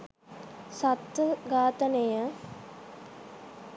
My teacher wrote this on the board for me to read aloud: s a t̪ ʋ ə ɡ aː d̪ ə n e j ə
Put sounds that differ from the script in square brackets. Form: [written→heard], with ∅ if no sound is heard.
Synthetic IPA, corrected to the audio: s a t̪ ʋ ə ɡ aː [d̪→t̪] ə n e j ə